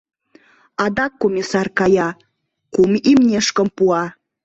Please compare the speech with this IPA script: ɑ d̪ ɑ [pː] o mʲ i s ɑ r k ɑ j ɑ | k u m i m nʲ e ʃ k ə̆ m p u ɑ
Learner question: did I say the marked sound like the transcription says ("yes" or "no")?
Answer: no